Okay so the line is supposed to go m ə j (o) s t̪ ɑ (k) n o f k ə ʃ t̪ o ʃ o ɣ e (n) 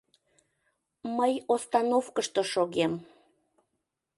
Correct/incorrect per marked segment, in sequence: correct, incorrect, incorrect

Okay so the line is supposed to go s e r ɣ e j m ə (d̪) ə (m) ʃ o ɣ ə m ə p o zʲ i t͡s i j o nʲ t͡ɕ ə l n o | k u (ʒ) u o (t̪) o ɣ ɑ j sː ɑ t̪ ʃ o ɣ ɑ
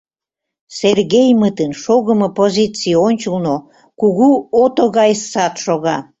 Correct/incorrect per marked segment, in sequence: incorrect, incorrect, incorrect, correct

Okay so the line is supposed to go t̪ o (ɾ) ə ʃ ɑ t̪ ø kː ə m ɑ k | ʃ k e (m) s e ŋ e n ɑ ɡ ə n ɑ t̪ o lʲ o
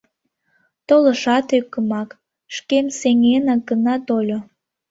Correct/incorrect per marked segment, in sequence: incorrect, correct

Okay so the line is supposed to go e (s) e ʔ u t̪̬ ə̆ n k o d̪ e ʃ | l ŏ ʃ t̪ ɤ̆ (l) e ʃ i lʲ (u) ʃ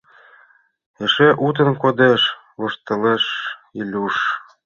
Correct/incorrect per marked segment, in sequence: incorrect, correct, correct

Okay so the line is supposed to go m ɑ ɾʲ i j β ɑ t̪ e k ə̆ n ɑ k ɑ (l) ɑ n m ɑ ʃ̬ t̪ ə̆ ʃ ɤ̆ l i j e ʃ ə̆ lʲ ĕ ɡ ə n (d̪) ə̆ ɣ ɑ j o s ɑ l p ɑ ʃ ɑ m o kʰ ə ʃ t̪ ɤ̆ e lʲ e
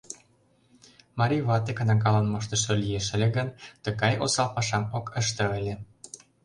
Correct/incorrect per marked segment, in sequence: correct, incorrect

